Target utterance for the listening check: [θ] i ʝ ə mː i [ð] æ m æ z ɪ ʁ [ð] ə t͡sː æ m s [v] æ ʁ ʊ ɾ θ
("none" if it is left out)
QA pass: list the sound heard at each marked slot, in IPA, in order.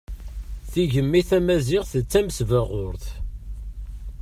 θ, θ, θ, v

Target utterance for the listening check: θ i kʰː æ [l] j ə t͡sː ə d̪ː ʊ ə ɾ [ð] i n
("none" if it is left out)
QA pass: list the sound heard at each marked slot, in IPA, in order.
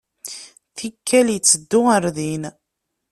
l, ð

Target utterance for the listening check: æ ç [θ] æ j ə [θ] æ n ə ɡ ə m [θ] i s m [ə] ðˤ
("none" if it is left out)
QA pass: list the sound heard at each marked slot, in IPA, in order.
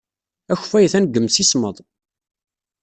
f, θ, s, ə

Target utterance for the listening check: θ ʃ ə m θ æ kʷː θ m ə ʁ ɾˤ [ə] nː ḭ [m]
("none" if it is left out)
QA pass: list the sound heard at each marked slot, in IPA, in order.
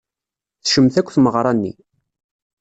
ɑ, none

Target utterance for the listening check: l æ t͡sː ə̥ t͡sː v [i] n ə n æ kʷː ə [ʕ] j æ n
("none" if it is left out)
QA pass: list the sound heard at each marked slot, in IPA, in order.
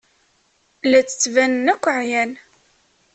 æ, ʕ

